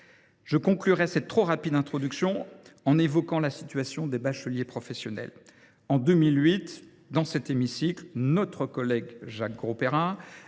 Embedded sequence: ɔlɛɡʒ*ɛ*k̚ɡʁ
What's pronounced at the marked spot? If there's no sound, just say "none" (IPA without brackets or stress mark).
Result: a